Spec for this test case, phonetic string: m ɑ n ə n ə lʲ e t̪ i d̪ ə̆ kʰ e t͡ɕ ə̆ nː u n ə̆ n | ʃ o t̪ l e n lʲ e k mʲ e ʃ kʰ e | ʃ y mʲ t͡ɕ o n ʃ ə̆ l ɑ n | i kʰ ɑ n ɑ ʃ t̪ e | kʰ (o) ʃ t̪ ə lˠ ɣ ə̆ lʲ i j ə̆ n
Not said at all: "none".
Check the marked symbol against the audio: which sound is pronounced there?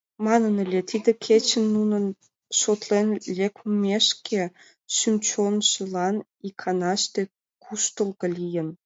u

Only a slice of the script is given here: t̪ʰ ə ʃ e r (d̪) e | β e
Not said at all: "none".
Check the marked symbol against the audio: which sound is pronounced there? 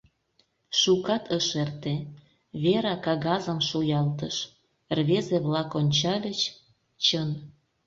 t̪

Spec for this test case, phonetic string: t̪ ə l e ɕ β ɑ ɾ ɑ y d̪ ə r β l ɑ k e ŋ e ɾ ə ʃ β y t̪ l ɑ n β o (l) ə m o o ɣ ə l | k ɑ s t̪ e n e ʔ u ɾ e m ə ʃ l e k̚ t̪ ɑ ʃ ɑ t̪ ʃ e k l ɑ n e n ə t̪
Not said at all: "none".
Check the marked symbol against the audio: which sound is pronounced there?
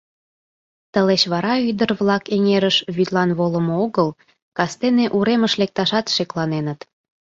l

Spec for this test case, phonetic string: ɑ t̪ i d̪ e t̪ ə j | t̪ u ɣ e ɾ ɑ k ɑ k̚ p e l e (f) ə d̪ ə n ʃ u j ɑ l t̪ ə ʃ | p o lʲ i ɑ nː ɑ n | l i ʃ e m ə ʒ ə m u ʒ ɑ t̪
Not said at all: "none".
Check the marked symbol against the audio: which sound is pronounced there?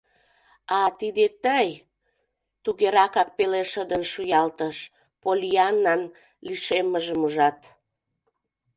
ʃ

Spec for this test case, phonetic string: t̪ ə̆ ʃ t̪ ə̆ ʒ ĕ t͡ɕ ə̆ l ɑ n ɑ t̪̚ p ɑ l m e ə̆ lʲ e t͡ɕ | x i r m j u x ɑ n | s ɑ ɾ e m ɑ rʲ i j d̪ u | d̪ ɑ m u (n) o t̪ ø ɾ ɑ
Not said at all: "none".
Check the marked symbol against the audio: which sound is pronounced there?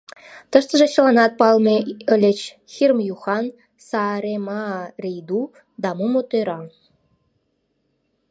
m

